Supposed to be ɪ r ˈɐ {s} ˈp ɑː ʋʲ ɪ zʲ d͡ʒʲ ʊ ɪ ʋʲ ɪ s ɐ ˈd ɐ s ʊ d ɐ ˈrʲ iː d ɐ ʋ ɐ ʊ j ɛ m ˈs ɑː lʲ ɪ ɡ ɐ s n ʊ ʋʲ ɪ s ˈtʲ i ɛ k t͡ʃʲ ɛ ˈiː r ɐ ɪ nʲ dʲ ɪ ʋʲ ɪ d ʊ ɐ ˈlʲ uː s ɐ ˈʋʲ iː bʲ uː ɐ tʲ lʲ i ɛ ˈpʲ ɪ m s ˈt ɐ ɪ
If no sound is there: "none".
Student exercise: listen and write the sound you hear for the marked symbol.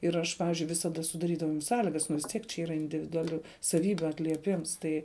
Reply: ʃ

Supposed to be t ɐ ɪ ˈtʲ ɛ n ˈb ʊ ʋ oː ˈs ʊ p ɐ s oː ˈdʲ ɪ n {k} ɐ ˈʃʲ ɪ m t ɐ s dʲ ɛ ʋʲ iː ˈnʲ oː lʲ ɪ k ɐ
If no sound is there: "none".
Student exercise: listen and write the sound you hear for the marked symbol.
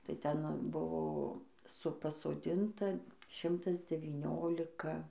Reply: t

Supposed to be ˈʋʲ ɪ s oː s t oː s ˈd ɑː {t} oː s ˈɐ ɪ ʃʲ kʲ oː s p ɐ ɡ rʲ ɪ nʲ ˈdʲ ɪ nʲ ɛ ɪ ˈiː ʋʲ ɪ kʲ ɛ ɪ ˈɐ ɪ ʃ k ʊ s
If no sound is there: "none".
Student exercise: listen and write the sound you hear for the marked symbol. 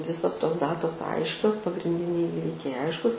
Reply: t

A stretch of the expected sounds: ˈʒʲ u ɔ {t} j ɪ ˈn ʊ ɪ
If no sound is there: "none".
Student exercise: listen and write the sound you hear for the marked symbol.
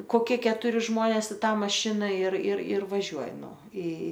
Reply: none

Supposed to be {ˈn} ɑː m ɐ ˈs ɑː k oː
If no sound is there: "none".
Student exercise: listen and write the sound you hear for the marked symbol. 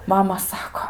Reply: m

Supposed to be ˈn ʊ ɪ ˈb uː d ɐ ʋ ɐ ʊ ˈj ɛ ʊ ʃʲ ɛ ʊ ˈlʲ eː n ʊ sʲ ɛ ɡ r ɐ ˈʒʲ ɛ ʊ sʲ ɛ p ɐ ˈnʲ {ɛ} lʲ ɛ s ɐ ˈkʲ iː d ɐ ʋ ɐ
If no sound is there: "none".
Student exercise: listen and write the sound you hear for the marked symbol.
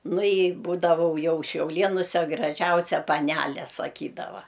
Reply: æ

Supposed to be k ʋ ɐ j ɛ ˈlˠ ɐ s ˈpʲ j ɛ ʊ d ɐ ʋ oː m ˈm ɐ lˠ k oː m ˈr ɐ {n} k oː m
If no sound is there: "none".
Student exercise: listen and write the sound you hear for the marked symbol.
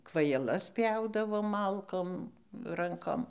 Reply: ŋ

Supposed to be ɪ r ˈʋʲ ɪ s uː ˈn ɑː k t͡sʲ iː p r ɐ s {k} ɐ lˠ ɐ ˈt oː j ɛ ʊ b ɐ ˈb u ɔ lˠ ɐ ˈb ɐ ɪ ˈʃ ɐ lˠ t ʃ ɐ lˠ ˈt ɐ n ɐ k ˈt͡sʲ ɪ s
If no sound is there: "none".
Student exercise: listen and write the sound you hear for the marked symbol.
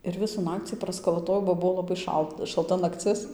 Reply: k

